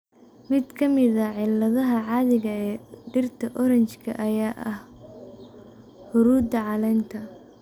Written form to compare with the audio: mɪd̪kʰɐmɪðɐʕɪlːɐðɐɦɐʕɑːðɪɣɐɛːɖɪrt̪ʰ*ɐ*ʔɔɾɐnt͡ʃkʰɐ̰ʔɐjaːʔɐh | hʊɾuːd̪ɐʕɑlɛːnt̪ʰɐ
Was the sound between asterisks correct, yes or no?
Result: yes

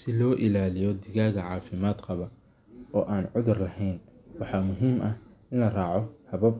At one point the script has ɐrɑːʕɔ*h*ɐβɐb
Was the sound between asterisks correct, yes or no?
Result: yes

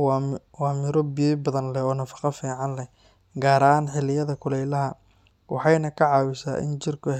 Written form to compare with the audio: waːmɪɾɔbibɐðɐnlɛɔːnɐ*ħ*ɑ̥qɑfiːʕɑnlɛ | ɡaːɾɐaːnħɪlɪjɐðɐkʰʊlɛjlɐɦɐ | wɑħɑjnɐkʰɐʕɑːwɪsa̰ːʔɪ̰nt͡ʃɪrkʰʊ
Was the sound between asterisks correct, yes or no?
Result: no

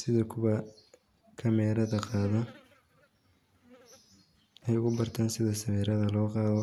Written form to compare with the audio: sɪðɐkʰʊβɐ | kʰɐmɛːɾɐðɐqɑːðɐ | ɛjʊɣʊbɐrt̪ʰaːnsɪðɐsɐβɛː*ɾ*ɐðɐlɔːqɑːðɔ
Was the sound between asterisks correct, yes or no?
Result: yes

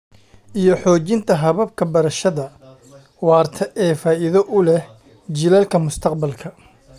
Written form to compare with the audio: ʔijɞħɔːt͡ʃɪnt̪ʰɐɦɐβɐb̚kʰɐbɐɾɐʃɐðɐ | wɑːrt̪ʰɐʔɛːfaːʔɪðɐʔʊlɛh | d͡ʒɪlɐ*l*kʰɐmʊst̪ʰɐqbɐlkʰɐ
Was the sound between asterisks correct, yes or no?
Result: yes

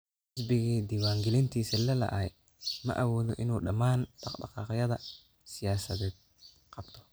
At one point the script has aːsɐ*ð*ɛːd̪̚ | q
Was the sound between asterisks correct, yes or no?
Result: yes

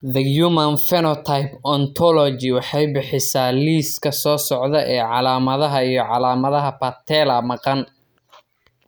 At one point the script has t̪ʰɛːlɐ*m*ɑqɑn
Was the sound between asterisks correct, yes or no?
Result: yes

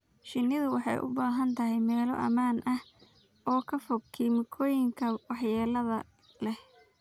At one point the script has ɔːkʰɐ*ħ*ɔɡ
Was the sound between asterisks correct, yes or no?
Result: no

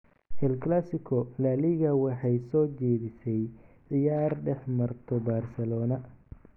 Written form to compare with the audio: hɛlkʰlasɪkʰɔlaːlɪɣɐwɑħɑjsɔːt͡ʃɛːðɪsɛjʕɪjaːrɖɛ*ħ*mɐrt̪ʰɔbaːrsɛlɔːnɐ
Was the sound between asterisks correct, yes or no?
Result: yes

